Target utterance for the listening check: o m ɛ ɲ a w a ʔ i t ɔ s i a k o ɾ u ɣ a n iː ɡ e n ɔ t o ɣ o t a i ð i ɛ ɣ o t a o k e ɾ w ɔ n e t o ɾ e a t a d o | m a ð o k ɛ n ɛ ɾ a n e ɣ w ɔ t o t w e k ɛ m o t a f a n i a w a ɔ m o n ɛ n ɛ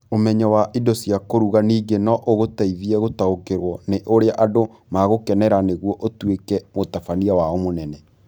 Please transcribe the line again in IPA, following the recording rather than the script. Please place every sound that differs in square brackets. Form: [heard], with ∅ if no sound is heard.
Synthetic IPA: o m ɛ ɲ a w a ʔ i [d] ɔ s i a k o ɾ u ɣ a n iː ɡ e n ɔ [ʔ] o ɣ o t a i ð i ɛ ɣ o t a o k e ɾ w ɔ n e [ʔ] o ɾ e a [ʔ] a d o | m a [ɣ] o k ɛ n ɛ ɾ a n e ɣ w ɔ [ʔ] o t w e k ɛ m o t a f a n i a w a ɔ m o n ɛ n ɛ

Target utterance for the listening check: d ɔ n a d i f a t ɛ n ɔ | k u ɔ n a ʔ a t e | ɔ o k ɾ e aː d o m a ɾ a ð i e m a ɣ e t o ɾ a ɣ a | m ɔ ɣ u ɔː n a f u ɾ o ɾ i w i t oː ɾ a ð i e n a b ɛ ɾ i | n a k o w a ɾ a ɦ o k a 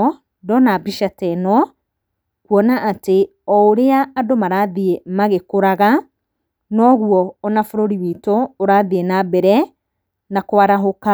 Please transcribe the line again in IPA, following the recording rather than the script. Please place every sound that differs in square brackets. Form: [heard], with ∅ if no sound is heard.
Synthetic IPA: d ɔ n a [b] i [ʃ] a t ɛ n ɔ | k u ɔ n a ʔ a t e | ɔ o [∅] ɾ e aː d o m a ɾ a ð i e m a ɣ e [k] o ɾ a ɣ a | [n] ɔ ɣ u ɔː n a f [o] ɾ o ɾ i w i t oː ɾ a ð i e n a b ɛ ɾ [ɛ] | n a k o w a ɾ a ɦ o k a

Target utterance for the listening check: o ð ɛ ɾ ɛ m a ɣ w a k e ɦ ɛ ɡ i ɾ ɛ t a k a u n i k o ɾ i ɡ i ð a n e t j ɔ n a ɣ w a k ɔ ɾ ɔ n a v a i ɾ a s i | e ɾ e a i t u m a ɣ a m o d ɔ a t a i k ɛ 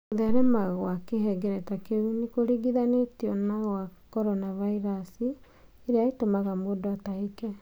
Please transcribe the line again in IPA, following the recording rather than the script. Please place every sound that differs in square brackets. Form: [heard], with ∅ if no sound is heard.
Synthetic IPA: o ð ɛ ɾ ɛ m a ɣ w a k e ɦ ɛ ɡ [ɛ] ɾ ɛ t a k [e] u n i k o ɾ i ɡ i ð a n e t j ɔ n a ɣ w a k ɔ ɾ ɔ n a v a i ɾ a s i | e ɾ e a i t [o] m a ɣ a m o d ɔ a t a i k ɛ

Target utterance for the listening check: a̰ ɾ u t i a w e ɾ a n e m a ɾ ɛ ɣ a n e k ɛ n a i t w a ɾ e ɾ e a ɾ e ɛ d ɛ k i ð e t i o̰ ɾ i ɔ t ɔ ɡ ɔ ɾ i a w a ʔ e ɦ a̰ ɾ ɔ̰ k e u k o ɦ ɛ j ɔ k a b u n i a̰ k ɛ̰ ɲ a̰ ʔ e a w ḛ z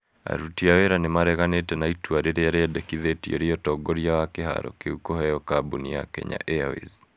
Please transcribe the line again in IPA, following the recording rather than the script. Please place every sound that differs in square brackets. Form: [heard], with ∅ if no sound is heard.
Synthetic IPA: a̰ ɾ u t i a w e ɾ a n e m a ɾ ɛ ɣ a n e [t] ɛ n a i t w a ɾ e ɾ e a ɾ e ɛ d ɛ k i ð e t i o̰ ɾ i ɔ t ɔ ɡ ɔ ɾ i a w a [k] e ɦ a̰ ɾ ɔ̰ k e u k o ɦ ɛ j ɔ k a b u n i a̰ k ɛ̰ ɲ a̰ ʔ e a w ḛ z

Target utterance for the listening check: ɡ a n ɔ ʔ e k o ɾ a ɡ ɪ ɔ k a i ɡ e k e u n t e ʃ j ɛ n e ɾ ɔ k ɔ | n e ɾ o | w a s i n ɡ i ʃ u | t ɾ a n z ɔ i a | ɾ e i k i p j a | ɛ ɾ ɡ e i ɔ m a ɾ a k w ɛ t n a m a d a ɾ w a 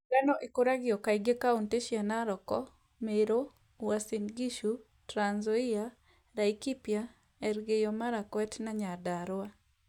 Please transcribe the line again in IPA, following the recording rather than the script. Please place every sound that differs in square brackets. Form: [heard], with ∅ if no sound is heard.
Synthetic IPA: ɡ a n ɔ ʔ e k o ɾ a ɡ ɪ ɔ k a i ɡ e k [a] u n t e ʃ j [a] n [a] ɾ ɔ k ɔ | [m] e ɾ o | w a s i n ɡ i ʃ u | t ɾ a n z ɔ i a | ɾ [a] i k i p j a | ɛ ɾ ɡ e [j] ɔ m a ɾ a k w ɛ t n a [ɲ] a d a ɾ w a

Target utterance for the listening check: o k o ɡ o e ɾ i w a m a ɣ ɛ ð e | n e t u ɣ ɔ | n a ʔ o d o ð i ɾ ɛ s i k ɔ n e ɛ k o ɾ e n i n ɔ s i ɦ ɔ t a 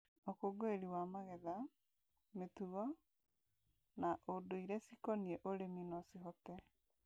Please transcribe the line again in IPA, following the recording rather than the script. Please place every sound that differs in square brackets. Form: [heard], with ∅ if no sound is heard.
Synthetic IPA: o k o ɡ o e ɾ i w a m a ɣ ɛ ð [a] | [m] e t u ɣ ɔ | n a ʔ o d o [∅] i ɾ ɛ s i k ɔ n [i] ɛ [ʔ] o ɾ e [m] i n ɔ s i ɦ ɔ t [ɛ]

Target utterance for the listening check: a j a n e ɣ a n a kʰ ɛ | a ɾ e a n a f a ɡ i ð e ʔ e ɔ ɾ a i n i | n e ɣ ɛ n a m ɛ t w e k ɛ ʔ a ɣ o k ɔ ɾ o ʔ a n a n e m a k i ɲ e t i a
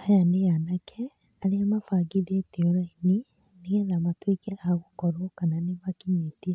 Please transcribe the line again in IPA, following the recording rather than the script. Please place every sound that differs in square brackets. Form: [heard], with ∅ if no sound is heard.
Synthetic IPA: a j a n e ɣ a n a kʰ ɛ | a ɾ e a [m] a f a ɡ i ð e [t] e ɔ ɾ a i n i | n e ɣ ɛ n a m [a] t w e k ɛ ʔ a ɣ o k ɔ ɾ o [k] a n a n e m a k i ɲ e t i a

